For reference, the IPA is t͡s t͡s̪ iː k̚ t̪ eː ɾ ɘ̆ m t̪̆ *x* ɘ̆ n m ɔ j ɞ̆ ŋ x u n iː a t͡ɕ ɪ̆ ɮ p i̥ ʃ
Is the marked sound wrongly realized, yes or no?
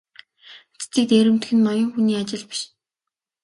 no